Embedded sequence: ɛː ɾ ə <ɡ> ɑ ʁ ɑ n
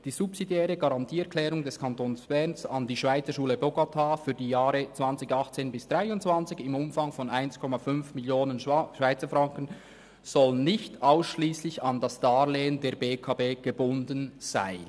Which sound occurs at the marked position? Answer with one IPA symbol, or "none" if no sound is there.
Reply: ɡ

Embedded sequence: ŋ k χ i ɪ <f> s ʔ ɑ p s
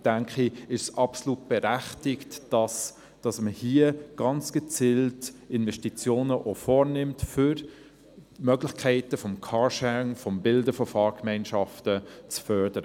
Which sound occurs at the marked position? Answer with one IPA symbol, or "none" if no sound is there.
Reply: ʃ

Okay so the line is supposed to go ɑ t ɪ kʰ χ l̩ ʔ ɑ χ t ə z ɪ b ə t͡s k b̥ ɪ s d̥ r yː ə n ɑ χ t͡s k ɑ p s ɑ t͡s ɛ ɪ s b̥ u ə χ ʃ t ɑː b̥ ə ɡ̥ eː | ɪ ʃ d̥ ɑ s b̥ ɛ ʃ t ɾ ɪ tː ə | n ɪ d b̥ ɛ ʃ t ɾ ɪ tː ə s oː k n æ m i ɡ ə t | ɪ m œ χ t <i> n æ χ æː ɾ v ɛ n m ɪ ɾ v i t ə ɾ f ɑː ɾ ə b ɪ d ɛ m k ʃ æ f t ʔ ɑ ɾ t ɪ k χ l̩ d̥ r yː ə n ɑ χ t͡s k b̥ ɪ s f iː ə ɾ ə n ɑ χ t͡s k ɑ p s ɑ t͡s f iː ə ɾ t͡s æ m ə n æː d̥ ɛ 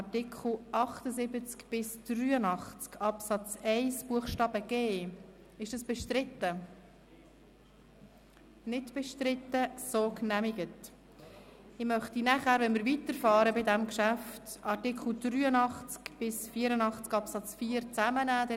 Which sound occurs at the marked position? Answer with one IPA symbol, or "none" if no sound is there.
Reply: i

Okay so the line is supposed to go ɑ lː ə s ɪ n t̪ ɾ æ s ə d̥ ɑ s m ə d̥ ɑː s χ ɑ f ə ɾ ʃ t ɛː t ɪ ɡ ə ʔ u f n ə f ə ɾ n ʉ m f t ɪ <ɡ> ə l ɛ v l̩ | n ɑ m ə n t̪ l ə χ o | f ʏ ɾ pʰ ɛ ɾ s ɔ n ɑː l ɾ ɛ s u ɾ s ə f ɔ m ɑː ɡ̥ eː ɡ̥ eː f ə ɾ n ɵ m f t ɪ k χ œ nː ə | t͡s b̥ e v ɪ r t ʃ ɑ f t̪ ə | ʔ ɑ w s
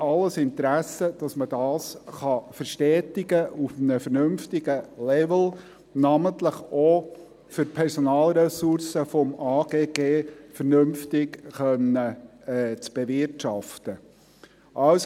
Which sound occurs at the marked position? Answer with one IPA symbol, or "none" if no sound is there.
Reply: ɡ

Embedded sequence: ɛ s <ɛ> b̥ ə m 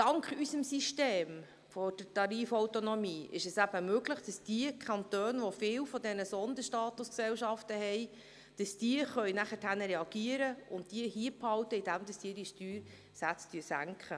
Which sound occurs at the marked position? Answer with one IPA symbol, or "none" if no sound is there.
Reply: æ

